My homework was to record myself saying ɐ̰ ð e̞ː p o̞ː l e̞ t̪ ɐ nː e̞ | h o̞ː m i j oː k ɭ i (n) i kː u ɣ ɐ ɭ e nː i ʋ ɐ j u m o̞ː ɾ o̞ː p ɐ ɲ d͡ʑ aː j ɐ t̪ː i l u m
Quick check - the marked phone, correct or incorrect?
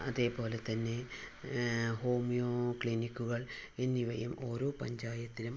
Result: correct